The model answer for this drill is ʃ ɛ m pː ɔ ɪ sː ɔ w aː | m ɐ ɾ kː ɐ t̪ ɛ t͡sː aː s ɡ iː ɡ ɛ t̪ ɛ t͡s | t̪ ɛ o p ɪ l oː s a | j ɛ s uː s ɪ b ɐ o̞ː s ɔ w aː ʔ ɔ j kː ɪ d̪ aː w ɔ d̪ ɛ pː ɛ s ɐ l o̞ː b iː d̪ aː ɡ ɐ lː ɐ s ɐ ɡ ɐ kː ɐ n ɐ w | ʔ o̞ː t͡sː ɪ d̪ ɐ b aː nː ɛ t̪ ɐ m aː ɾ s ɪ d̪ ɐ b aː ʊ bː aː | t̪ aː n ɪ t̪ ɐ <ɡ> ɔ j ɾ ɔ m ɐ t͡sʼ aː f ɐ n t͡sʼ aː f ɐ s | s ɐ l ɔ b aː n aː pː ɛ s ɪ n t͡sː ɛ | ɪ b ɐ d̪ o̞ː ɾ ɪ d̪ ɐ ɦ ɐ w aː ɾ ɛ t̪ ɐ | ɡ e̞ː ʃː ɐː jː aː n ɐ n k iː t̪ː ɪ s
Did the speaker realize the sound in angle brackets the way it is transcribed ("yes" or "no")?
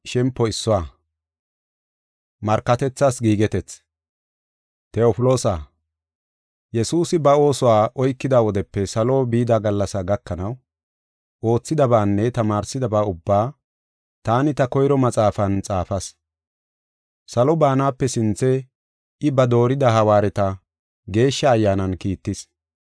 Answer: no